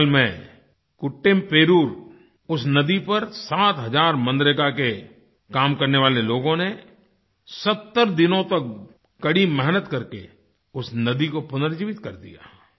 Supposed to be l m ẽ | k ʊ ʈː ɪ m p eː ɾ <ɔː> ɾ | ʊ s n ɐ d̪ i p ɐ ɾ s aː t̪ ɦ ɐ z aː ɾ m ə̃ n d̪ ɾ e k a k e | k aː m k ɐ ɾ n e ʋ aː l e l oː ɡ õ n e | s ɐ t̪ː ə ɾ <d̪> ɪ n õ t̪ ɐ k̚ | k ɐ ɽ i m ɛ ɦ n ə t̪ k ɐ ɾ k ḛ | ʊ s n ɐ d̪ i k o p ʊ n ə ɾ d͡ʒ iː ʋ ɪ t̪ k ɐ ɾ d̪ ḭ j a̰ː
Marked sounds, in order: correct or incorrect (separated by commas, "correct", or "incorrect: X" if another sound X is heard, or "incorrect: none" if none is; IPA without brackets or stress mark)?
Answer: incorrect: uː, correct